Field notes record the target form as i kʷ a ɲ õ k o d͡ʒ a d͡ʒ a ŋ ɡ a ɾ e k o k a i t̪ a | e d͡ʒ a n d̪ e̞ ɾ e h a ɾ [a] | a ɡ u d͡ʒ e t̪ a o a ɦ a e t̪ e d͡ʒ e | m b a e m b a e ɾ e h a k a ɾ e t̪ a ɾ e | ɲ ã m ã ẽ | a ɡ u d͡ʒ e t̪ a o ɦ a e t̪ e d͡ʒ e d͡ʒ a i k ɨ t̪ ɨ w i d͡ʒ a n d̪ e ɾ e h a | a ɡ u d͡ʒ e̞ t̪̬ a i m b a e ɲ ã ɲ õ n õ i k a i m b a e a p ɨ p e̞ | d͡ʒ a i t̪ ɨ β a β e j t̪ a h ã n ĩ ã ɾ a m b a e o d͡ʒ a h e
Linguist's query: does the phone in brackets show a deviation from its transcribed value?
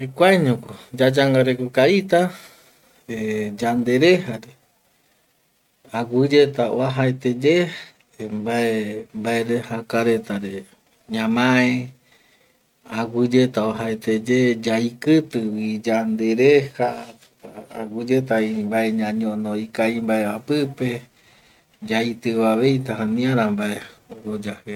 yes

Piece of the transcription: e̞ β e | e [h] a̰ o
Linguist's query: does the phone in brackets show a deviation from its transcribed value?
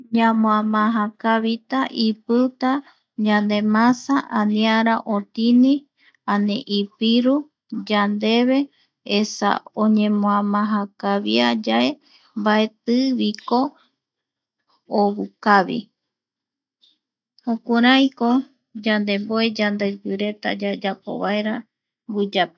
yes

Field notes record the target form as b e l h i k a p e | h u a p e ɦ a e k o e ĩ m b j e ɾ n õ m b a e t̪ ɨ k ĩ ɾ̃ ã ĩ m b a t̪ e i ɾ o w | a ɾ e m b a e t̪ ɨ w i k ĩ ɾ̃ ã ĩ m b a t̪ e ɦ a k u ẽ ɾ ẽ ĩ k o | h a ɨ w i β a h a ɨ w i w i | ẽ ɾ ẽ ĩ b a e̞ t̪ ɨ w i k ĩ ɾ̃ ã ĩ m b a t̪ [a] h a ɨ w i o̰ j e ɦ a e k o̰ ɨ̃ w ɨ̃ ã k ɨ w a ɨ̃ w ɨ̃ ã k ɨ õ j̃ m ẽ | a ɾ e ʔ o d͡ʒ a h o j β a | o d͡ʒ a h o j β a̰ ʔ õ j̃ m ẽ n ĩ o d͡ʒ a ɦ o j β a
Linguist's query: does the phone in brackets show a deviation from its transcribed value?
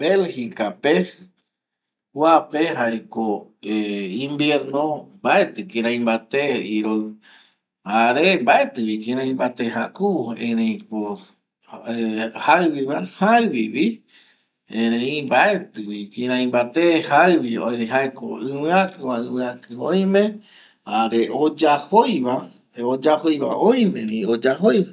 yes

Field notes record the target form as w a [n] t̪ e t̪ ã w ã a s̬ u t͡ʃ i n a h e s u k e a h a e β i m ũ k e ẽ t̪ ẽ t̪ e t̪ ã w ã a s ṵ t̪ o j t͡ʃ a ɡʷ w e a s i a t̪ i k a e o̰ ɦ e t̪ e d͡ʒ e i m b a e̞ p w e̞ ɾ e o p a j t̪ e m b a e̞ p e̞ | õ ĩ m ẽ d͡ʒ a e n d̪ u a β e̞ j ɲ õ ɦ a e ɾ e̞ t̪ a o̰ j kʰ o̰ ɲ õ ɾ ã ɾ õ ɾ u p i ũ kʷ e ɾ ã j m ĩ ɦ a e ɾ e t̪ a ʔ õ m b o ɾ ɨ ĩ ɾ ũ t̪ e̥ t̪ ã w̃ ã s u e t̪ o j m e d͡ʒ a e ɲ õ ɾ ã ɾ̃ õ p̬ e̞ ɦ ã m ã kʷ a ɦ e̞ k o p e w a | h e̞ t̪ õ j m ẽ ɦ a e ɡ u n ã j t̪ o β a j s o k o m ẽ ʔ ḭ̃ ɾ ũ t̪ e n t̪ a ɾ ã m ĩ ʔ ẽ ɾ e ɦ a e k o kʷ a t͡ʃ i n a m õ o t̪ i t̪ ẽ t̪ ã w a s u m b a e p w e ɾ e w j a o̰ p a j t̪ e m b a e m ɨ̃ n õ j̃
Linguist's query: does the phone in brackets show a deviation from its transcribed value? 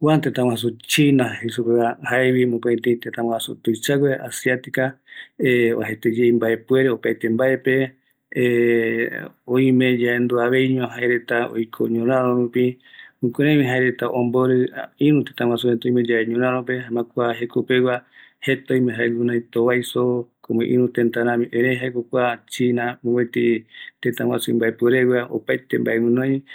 no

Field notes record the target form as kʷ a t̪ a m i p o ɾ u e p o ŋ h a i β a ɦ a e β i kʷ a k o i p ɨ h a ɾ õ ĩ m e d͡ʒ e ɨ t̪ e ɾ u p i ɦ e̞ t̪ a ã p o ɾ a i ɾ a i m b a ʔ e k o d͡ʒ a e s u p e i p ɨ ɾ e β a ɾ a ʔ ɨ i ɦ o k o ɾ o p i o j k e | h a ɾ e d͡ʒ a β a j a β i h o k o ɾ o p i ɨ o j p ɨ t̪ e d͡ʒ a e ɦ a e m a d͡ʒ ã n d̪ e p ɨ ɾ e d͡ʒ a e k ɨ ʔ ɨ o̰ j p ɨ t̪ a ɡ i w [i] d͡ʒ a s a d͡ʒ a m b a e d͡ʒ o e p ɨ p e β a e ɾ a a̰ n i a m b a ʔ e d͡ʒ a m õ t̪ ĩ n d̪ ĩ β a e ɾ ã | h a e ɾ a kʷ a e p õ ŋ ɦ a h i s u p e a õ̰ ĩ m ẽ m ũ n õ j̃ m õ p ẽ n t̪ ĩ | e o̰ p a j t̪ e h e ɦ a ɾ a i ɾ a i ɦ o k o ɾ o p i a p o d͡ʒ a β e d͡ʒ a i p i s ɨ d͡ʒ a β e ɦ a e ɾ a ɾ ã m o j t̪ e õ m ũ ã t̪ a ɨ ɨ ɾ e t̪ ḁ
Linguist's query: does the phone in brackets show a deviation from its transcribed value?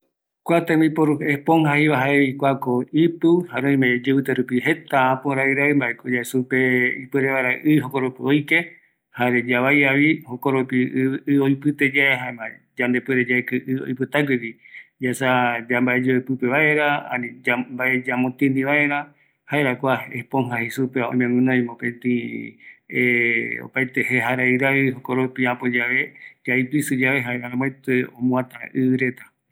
no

